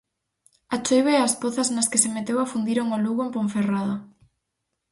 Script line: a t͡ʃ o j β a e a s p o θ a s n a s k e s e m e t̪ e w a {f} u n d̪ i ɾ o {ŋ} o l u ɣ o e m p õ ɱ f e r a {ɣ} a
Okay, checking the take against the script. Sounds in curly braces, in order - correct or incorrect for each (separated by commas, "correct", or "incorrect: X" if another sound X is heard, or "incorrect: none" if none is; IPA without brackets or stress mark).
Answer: correct, correct, incorrect: ð